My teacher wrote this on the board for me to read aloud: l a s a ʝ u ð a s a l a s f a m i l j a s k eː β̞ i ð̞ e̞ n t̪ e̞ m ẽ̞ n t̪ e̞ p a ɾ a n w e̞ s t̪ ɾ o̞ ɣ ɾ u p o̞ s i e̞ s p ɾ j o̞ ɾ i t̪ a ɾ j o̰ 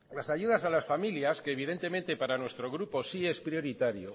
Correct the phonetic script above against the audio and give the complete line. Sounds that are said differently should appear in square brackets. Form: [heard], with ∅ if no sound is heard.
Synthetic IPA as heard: l a s a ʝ u ð a s a l a s f a m i l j a s k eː β̞ i ð̞ e̞ n t̪ e̞ m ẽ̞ n t̪ e̞ p a ɾ a n w e̞ s t̪ ɾ o̞ ɣ ɾ u p o̞ s i e̞ s p ɾ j o̞ ɾ i t̪ a ɾ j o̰